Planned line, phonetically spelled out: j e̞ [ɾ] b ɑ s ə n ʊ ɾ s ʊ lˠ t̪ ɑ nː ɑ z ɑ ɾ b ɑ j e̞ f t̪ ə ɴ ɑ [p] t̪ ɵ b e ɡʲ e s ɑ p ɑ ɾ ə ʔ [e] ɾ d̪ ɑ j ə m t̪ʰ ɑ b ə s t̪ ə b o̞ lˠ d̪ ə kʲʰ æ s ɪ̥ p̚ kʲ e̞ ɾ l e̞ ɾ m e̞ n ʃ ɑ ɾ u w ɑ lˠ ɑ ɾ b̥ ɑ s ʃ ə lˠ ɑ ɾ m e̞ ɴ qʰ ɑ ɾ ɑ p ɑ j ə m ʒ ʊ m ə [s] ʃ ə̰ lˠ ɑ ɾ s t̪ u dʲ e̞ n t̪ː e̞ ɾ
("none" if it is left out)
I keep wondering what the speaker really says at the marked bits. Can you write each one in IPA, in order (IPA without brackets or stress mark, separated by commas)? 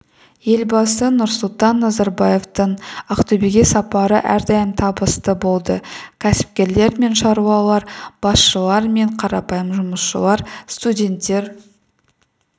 l, q, æ, s